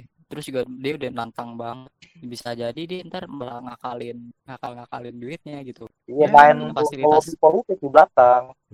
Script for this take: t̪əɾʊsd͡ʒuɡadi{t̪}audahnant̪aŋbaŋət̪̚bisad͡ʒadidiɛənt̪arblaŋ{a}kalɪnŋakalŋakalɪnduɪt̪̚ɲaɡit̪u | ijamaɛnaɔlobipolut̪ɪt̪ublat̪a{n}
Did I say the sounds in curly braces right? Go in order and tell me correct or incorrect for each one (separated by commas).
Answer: incorrect, correct, incorrect